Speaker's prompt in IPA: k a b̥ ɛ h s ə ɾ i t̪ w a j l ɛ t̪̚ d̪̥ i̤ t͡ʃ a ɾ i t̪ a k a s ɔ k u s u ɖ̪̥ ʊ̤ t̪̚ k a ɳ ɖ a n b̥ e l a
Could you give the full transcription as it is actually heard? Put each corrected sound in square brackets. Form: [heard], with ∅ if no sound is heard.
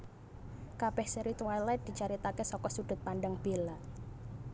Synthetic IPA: k a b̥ ɛ h s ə ɾ i t̪ w a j l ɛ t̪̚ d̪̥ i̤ t͡ʃ a ɾ i t̪ a k [e] s ɔ k [ɔ] s u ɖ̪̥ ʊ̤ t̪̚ [p] a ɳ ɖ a [ŋ] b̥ e l a